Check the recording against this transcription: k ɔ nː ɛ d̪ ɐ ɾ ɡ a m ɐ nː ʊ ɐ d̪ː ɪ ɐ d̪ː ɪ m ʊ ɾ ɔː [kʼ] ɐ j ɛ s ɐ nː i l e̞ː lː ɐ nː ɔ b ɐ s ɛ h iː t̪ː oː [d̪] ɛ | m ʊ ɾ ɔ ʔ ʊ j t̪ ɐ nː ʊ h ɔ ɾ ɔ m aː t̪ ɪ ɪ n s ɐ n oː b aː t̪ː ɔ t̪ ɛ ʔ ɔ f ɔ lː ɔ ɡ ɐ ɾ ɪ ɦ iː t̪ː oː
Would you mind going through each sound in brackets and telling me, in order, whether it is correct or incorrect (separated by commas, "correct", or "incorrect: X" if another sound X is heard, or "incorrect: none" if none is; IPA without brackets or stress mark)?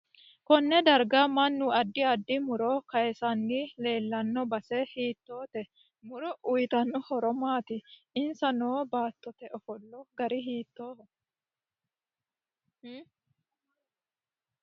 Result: incorrect: k, incorrect: t̪